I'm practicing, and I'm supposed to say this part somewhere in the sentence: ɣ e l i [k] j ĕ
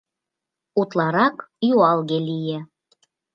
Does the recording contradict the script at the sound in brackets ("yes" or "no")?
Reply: yes